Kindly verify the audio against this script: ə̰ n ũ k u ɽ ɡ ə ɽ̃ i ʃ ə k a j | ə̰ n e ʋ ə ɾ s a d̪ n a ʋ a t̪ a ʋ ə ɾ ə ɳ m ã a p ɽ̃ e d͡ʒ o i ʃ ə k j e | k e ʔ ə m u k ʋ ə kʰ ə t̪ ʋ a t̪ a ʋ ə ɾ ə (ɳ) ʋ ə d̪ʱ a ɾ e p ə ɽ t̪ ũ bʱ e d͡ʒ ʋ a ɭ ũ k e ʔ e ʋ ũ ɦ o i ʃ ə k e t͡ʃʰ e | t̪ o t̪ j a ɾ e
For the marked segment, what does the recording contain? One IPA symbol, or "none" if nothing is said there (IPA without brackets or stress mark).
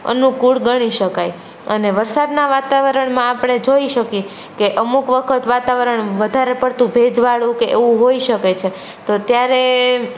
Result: ɳ